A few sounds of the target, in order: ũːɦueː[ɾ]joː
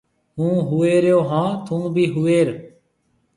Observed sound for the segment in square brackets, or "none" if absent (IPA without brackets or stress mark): ɾ